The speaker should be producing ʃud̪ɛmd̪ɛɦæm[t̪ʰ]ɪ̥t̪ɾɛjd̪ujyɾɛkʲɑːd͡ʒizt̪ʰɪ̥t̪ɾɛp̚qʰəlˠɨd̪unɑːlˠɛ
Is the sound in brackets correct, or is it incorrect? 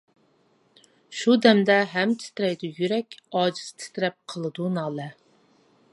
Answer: correct